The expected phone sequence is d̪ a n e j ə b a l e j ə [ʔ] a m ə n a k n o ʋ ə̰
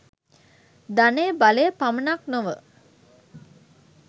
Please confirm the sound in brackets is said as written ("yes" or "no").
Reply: no